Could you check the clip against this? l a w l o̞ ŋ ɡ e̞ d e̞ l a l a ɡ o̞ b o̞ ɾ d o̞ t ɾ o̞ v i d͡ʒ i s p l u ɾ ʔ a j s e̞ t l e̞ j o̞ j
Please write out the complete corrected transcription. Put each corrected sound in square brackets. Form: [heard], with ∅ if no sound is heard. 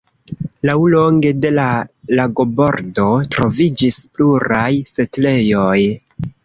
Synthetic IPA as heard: l a w l o̞ ŋ ɡ e̞ d e̞ l a l a ɡ o̞ b o̞ ɾ d o̞ t ɾ o̞ v i d͡ʒ i s p l u ɾ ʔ a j s e̞ t l e̞ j o̞ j